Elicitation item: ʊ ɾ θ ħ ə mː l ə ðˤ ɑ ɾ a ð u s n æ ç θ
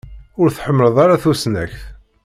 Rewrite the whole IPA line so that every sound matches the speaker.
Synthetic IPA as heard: ʊ ɾ θ ħ ə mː l ə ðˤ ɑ ɾ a θ u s n æ ç θ